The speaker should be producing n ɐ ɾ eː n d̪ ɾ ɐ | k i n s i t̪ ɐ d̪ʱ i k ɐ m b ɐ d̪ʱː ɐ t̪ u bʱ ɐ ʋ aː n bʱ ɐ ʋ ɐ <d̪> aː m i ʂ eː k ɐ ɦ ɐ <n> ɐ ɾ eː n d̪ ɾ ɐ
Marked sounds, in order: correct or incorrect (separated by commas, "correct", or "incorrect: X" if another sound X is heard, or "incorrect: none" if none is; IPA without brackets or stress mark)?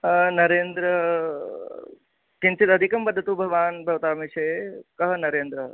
incorrect: t̪, correct